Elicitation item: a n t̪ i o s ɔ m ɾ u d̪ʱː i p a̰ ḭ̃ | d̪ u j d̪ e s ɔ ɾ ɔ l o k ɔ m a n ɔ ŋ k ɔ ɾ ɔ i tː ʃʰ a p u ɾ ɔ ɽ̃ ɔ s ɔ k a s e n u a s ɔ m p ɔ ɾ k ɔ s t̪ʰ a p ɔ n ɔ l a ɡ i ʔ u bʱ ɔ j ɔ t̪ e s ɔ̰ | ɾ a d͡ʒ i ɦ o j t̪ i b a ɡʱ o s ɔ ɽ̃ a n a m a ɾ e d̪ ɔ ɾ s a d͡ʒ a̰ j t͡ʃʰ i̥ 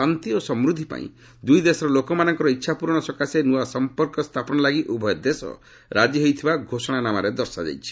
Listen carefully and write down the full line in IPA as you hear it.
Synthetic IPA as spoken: a n t̪ i o s ɔ m ɾ u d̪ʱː i p a̰ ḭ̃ | d̪ u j d̪ e s ɔ ɾ ɔ l o k ɔ m a n ɔ ŋ k ɔ ɾ ɔ i tː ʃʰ a p u ɾ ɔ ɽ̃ ɔ s ɔ k a s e n u a s ɔ m p ɔ ɾ k ɔ s t̪ʰ a p ɔ n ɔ l a ɡ i ʔ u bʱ ɔ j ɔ d̪ e s ɔ̰ | ɾ a d͡ʒ i ɦ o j t̪ʰ i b a ɡʱ o s ɔ ɽ̃ a n a m a ɾ e d̪ ɔ ɾ s a d͡ʒ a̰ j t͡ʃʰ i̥

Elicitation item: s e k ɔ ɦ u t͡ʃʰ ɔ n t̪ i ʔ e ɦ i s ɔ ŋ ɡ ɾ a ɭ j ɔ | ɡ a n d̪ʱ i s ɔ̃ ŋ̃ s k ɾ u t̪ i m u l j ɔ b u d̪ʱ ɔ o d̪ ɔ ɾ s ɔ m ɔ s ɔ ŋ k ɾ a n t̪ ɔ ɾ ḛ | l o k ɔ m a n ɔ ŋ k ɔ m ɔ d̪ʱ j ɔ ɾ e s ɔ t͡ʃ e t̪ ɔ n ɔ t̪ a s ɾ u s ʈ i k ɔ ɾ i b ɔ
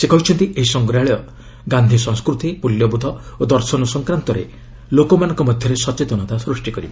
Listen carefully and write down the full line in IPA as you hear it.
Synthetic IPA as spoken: s e k ɔ ɦ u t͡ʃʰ ɔ n t̪ i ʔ e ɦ i s ɔ ŋ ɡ ɾ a ɭ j ɔ | ɡ a n d̪ʱ i s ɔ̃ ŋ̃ s k ɾ u t̪ i m u l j ɔ b u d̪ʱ ɔ o d̪ ɔ ɾ s ɔ n ɔ s ɔ ŋ k ɾ a n t̪ ɔ ɾ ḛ | l o k ɔ m a n ɔ ŋ k ɔ m ɔ d̪ʱ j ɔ ɾ e s ɔ t͡ʃ e t̪ ɔ n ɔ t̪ a s ɾ u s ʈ i k ɔ ɾ i b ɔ

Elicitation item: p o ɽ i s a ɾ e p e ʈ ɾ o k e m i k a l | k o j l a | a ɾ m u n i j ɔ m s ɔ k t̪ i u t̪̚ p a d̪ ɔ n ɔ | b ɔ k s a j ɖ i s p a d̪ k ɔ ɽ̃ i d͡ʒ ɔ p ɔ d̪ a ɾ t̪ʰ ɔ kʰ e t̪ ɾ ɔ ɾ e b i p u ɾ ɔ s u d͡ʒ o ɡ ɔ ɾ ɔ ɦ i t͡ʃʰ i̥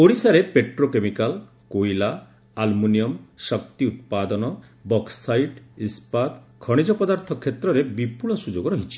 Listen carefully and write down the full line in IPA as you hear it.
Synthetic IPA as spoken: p o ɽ i s a ɾ e p e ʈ ɾ o k e m i k a l | k o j l a | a l m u n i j ɔ m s ɔ k t̪ i u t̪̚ p a d̪ ɔ n ɔ | b ɔ k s a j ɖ i s p a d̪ kʰ ɔ ɽ̃ i d͡ʒ ɔ p ɔ d̪ a ɾ t̪ʰ ɔ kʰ e t̪ ɾ ɔ ɾ e b i p u ɭ ɔ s u d͡ʒ o ɡ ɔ ɾ ɔ ɦ i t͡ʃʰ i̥

